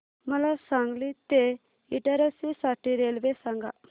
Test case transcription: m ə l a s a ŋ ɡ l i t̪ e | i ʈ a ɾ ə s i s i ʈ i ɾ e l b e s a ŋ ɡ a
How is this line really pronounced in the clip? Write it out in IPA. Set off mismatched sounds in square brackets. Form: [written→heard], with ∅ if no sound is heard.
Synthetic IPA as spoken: m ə l a s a ŋ ɡ l i t̪ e | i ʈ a ɾ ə s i s [i→a] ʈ i ɾ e l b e s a ŋ ɡ a